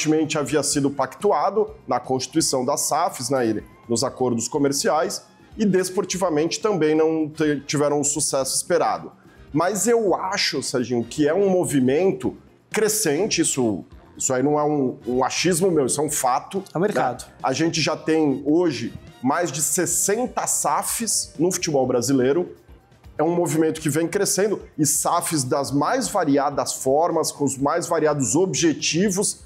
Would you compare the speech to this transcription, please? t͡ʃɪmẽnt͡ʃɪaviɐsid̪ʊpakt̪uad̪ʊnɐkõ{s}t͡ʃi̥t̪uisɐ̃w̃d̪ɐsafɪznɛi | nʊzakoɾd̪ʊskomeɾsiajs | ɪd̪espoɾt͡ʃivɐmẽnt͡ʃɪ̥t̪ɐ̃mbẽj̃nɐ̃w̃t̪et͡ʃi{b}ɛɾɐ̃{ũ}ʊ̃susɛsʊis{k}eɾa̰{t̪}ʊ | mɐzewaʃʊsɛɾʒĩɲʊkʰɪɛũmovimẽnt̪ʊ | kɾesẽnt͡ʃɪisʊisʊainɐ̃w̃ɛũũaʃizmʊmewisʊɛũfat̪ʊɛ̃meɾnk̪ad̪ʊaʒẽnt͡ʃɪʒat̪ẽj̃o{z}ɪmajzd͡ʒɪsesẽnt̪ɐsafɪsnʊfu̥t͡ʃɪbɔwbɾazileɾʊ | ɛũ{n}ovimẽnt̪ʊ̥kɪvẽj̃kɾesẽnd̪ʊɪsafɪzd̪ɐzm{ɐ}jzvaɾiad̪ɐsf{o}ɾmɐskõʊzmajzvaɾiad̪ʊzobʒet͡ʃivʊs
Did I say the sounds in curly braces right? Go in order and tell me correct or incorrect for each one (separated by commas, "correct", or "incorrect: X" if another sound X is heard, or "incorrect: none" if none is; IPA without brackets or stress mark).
correct, incorrect: v, incorrect: w̃, incorrect: p, incorrect: d̪, incorrect: ʒ, incorrect: m, incorrect: a, incorrect: ɔ